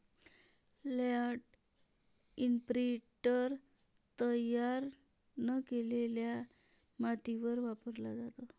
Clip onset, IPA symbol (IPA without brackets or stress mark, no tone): l